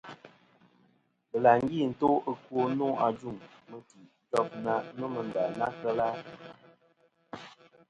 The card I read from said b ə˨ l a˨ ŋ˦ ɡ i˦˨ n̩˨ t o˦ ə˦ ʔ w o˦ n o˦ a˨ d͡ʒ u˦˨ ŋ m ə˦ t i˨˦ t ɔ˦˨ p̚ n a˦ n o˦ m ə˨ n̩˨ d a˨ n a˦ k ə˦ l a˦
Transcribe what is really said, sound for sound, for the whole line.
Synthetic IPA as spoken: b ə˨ l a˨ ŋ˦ ɡ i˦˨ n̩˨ t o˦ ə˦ k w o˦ n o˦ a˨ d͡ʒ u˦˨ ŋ m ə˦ t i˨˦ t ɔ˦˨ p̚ n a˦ n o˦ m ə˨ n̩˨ d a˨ n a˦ k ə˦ l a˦

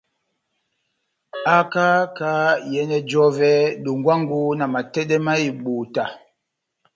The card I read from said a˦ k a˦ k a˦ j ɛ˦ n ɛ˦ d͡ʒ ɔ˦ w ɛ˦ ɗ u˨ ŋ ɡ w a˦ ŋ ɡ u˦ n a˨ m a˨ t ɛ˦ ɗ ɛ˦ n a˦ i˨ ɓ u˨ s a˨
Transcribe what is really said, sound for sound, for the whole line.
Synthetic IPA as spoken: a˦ k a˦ k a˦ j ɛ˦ n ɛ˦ d͡ʒ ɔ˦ v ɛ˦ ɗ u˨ ŋ ɡ w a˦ ŋ ɡ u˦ n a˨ m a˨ t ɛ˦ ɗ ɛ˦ m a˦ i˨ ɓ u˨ t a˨

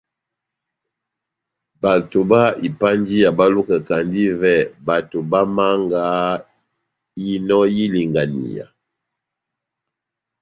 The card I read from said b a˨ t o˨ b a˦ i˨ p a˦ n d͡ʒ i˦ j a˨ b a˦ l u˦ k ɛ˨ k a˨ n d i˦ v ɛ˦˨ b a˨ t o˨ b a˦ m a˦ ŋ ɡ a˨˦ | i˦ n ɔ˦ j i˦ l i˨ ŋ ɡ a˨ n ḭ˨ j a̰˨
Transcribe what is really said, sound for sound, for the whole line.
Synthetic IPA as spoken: b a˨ t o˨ b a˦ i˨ p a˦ n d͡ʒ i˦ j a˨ b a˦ l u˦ k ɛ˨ k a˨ n d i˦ v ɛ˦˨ b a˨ t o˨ b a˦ m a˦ ŋ ɡ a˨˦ | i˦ n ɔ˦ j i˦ l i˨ ŋ ɡ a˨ n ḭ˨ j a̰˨

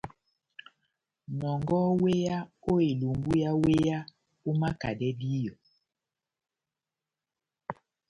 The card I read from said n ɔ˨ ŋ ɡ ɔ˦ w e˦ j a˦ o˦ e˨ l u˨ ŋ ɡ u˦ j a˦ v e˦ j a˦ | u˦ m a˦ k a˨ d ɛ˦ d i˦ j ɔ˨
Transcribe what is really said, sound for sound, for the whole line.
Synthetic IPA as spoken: n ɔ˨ ŋ ɡ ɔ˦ w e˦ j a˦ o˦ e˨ l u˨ ŋ ɡ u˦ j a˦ w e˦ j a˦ | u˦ m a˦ k a˨ d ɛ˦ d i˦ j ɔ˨

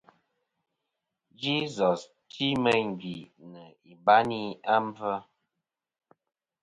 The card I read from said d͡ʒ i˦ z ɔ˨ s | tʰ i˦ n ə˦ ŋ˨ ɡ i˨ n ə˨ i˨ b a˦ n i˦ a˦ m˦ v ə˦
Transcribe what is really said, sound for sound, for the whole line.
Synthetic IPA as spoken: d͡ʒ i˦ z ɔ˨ s | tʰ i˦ m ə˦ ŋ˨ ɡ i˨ n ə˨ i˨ b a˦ n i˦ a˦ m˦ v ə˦

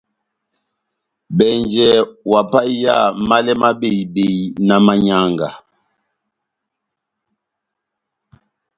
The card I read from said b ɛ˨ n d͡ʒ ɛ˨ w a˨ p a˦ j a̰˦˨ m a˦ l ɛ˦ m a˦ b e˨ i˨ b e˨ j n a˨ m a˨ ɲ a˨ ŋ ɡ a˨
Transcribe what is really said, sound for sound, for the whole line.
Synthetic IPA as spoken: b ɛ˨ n d͡ʒ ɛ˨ w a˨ p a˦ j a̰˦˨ m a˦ l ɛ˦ m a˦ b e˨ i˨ b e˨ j n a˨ m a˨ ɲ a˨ ŋ ɡ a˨

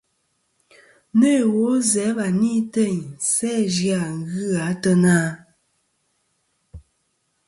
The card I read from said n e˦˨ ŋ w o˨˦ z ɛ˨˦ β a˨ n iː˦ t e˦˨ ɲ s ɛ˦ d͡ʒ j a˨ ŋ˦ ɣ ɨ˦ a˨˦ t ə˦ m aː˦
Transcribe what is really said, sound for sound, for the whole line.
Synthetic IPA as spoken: n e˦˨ w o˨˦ z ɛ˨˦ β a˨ n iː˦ t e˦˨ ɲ s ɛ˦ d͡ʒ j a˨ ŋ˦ ɣ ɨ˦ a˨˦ t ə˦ n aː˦

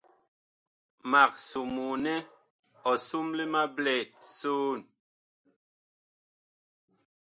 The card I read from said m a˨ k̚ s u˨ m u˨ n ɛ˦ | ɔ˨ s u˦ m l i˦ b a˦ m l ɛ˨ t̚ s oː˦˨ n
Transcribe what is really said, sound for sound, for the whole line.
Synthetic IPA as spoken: m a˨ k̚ s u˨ m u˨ n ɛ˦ | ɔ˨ s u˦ m l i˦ m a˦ b l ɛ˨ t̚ s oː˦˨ n

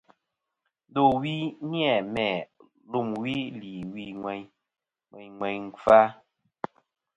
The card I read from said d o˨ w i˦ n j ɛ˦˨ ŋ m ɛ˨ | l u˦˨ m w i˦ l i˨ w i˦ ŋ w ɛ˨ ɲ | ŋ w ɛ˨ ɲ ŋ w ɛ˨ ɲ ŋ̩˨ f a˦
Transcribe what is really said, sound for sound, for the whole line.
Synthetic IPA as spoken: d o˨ w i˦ n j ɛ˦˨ m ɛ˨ | l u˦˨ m w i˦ l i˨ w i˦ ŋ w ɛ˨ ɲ | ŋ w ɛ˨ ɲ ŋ w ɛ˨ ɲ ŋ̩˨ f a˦

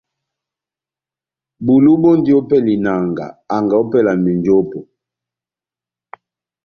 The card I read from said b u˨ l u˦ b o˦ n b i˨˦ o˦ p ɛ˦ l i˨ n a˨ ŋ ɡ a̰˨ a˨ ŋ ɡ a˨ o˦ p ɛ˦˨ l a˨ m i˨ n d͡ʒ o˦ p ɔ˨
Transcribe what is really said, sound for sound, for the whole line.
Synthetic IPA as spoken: b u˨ l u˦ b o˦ n d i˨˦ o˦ p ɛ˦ l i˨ n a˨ ŋ ɡ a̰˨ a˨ ŋ ɡ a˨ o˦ p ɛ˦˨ l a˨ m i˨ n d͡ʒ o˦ p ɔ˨

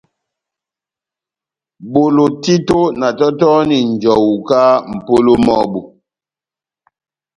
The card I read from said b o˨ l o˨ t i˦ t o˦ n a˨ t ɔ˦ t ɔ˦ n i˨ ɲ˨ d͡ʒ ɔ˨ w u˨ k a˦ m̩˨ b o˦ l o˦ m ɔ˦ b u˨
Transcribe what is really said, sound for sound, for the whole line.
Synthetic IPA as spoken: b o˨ l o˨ t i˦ t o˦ n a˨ t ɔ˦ t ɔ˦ n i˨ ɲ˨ d͡ʒ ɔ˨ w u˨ k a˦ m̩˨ p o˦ l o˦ m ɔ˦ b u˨

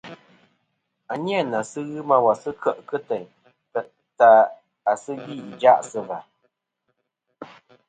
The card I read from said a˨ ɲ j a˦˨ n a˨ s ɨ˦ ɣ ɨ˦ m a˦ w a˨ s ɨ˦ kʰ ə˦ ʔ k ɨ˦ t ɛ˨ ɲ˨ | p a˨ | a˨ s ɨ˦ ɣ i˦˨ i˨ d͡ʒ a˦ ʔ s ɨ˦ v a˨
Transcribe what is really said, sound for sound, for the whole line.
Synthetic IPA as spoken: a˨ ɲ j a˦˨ n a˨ s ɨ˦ ɣ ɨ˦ m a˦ w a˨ s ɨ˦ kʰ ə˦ ʔ k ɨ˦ t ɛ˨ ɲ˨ | t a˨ | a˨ s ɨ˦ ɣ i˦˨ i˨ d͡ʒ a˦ ʔ s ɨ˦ v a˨

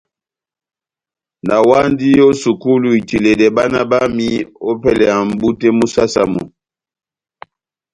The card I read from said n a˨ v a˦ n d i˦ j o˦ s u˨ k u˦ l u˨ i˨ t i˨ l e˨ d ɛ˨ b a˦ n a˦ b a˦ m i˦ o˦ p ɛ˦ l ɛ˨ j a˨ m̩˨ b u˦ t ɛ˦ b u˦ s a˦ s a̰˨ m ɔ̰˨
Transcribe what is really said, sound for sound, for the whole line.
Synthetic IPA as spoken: n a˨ w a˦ n d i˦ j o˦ s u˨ k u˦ l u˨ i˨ t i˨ l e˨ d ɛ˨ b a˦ n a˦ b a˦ m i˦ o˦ p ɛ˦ l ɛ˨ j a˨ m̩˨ b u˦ t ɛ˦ m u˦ s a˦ s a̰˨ m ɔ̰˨

